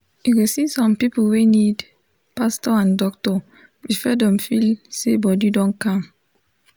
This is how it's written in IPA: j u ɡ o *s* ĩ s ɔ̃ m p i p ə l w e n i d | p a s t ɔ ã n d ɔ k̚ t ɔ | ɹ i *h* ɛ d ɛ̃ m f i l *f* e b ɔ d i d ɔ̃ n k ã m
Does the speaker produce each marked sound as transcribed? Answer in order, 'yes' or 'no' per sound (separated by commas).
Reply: yes, no, no